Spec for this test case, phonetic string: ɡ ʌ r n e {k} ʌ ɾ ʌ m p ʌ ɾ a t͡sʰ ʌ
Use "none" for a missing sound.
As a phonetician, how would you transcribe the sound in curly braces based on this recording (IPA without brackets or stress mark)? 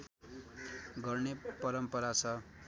p